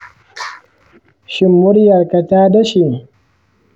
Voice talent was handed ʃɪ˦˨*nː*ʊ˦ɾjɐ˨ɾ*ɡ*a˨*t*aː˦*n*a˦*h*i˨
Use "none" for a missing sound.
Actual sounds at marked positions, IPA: mː, k, t, d, ʃ

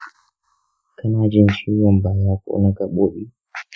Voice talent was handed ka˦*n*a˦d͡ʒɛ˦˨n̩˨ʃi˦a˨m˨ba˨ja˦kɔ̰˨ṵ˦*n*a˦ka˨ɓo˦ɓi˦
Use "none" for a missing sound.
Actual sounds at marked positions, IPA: n, n

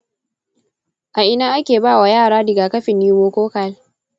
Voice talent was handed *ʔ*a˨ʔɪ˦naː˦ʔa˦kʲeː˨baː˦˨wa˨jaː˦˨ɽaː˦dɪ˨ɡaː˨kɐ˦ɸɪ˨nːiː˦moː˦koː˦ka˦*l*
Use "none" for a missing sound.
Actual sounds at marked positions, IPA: ʔ, l

